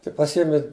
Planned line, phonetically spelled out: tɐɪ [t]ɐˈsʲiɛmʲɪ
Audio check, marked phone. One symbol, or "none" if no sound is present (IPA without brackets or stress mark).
p